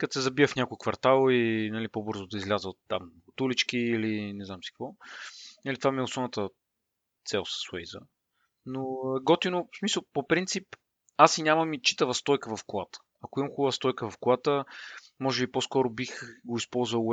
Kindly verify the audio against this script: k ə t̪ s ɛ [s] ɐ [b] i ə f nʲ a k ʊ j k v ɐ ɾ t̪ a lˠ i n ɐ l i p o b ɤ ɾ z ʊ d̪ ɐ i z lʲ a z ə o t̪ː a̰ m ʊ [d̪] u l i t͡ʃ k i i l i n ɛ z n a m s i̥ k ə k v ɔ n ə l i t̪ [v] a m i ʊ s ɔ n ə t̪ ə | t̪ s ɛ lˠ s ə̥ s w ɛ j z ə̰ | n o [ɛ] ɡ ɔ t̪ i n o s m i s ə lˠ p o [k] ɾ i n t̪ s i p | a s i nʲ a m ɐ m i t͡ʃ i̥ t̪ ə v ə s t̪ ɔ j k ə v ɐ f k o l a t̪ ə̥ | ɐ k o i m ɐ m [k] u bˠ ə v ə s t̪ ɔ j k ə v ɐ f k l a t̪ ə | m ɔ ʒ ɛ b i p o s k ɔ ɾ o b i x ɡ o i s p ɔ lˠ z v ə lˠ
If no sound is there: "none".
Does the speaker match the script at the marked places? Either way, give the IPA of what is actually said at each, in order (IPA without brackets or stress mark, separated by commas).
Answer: z, b, t̪, v, ɛ, p, x